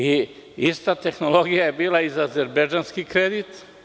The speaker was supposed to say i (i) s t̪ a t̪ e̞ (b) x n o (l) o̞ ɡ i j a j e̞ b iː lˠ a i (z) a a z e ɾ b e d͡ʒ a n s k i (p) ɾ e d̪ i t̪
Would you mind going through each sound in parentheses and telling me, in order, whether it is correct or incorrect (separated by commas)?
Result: correct, incorrect, correct, correct, incorrect